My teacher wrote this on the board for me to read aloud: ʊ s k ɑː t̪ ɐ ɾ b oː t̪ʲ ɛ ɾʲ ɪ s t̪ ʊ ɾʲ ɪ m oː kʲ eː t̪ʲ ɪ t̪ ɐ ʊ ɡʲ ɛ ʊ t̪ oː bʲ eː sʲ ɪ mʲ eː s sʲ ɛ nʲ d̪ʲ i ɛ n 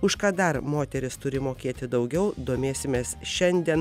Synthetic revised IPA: ʊ ʃ k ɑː d̪ ɐ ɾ m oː t̪ʲ ɛ ɾʲ ɪ s t̪ ʊ ɾʲ ɪ m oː kʲ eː t̪ʲ ɪ d̪ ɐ ʊ ɡʲ ɛ ʊ d̪ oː mʲ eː sʲ ɪ mʲ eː s ʃʲ ɛ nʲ d̪ʲ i ɛ n

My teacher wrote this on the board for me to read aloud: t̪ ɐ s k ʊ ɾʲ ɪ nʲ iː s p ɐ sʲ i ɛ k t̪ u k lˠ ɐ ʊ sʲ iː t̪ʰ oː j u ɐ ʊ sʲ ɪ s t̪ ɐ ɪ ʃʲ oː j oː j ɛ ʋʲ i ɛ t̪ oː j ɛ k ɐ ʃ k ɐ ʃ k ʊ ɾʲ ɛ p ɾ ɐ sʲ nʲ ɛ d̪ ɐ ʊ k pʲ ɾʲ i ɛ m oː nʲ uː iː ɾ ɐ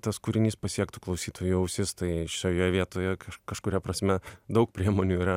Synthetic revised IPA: t̪ ɐ s k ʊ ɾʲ ɪ nʲ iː s p ɐ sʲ i ɛ k t̪ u k lˠ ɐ ʊ sʲ iː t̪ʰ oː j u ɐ ʊ sʲ ɪ s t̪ ɐ ɪ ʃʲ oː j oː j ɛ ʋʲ i ɛ t̪ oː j ɛ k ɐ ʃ k ɐ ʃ k ʊ ɾʲ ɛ p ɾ ɐ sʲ mʲ ɛ d̪ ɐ ʊ k pʲ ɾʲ i ɛ m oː nʲ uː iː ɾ ɐ

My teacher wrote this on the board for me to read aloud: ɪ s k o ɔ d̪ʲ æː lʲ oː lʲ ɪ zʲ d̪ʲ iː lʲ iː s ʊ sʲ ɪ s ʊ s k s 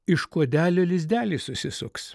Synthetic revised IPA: ɪ ʃ k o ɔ d̪ʲ æː lʲ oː lʲ ɪ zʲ d̪ʲ æː lʲ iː s ʊ sʲ ɪ s ʊ k s

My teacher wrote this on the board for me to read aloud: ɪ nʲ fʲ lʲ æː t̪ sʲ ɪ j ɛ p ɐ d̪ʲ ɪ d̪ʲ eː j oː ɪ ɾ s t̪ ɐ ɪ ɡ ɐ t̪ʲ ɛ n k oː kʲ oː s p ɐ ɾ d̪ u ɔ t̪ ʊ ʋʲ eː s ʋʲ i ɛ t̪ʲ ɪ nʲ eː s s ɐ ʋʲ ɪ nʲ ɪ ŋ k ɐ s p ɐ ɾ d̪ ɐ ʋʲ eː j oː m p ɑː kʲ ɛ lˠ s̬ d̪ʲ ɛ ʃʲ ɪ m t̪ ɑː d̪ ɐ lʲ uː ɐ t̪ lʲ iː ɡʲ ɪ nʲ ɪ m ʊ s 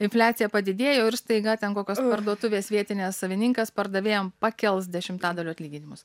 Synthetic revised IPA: ɪ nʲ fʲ lʲ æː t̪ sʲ ɪ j ɛ p ɐ d̪ʲ ɪ d̪ʲ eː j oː ɪ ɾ s t̪ ɐ ɪ ɡ ɐ t̪ʲ ɛ n k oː kʲ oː s p ɐ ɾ d̪ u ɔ t̪ ʊ ʋʲ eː s ʋʲ i ɛ t̪ʲ ɪ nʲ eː s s ɐ ʋʲ ɪ nʲ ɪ ŋ k ɐ s p ɐ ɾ d̪ ɐ ʋʲ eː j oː m p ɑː kʲ ɛ lˠ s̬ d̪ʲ ɛ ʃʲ ɪ m t̪ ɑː d̪ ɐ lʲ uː ɐ t̪ lʲ iː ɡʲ ɪ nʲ ɪ m ʊ s

